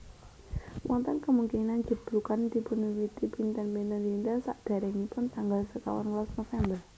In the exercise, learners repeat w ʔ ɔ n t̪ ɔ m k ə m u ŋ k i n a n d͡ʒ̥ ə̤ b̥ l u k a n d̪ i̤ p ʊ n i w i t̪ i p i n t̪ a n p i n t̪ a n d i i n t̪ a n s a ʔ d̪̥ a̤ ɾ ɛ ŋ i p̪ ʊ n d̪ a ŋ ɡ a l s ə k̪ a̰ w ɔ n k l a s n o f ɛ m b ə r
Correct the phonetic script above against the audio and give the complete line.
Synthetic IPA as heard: w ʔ ɔ n t̪ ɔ n k ə m u ŋ k i n a n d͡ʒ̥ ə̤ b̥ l u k a n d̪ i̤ p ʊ n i w i t̪ i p i n t̪ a n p i n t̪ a n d i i n t̪ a n s a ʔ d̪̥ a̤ ɾ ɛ ŋ i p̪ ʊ n t̪ a ŋ ɡ a l s ə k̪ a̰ w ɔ n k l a s n o f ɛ m b ə r